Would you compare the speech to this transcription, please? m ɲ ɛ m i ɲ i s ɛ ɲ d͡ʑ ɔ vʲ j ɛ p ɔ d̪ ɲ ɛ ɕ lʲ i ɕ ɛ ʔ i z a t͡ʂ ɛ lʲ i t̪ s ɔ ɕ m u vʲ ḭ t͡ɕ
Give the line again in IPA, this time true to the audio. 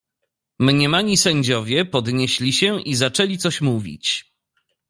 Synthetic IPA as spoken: m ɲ ɛ m a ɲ i s ɛ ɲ d͡ʑ ɔ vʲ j ɛ p ɔ d̪ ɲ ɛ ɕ lʲ i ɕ ɛ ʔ i z a t͡ʂ ɛ lʲ i t̪ s ɔ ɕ m u vʲ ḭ t͡ɕ